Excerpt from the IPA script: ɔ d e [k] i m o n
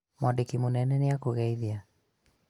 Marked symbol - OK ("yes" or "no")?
yes